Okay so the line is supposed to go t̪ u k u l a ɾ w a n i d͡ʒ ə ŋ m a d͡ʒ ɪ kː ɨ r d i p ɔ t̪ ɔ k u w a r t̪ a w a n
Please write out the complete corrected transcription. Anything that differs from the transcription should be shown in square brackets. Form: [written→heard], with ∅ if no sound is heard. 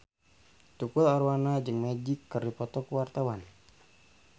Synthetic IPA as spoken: t̪ u k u l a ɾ w a n [i→a] d͡ʒ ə ŋ m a d͡ʒ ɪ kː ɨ r d i p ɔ t̪ ɔ k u w a r t̪ a w a n